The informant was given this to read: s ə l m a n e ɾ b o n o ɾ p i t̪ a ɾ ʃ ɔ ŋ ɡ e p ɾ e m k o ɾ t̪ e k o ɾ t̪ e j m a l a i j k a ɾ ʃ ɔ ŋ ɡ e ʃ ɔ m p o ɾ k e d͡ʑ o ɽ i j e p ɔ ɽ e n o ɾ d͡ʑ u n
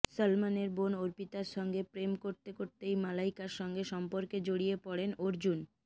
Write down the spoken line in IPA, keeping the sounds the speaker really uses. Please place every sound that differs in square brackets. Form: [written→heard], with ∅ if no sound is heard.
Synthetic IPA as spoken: s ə l m a n e ɾ b o n o ɾ p i t̪ a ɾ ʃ ɔ ŋ ɡ e p ɾ e m k o ɾ t̪ e k o ɾ t̪ e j m a l a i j k a ɾ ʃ ɔ ŋ ɡ e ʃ ɔ m p o ɾ k e d͡ʑ o ɽ i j e p ɔ ɽ e n o ɾ d͡ʑ u n